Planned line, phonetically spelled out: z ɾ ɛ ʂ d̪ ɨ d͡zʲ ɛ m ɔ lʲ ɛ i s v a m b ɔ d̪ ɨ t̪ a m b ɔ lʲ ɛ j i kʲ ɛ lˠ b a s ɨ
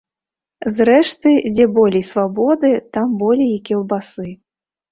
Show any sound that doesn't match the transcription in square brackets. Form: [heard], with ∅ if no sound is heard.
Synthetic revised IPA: z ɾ ɛ ʂ [t̪] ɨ d͡zʲ ɛ [b] ɔ lʲ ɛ [j] s v a [∅] b ɔ d̪ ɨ t̪ a m b ɔ lʲ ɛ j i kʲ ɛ lˠ b a s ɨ